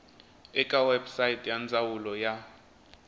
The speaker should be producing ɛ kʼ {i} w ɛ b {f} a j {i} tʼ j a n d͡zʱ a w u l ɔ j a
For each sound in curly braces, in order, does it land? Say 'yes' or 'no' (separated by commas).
no, no, yes